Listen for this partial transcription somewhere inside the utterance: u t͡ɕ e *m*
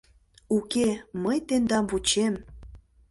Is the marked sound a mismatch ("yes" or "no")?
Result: no